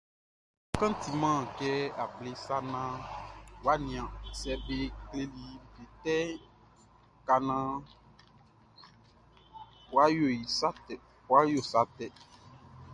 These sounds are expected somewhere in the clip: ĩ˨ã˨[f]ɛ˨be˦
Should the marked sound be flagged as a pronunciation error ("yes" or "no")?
yes